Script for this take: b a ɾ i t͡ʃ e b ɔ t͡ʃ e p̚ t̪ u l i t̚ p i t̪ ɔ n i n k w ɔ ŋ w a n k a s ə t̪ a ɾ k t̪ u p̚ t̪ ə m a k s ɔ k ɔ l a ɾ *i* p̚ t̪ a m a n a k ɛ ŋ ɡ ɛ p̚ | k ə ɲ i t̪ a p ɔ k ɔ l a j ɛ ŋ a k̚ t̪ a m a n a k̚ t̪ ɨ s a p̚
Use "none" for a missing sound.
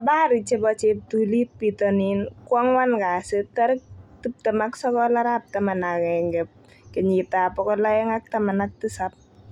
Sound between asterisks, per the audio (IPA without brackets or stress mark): a